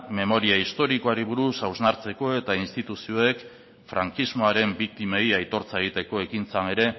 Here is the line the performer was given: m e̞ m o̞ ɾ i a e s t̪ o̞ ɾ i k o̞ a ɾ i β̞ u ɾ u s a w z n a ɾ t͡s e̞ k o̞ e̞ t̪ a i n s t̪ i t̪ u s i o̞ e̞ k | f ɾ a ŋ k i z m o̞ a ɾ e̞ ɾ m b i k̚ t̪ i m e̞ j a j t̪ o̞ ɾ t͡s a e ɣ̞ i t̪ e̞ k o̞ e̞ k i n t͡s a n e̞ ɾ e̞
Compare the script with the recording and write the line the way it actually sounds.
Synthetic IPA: m e̞ m o̞ ɾ i a i s t̪ o̞ ɾ i k o̞ a ɾ i β̞ u ɾ u s a w z n a ɾ t͡s e̞ k o̞ e̞ t̪ a i n s t̪ i t̪ u s i o̞ e̞ k | f ɾ a ŋ k i z m o̞ a ɾ e̞ m b i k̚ t̪ i m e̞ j a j t̪ o̞ ɾ t͡s a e ɣ̞ i t̪ e̞ k o̞ e̞ k i n t͡s a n e̞ ɾ e̞